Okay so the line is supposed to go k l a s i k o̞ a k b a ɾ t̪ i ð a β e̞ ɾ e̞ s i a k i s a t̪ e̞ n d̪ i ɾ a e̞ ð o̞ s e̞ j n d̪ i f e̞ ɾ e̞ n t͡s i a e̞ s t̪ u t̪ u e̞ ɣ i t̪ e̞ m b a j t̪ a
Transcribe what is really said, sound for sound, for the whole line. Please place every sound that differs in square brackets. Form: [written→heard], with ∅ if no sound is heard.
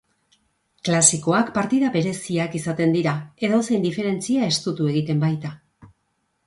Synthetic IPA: k l a s i k o̞ a k [b→p] a ɾ t̪ i ð a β e̞ ɾ e̞ s i a k i s a t̪ e̞ n d̪ i ɾ a e̞ ð o̞ s e̞ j n d̪ i f e̞ ɾ e̞ n t͡s i a e̞ s t̪ u t̪ u e̞ ɣ i t̪ e̞ m b a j t̪ a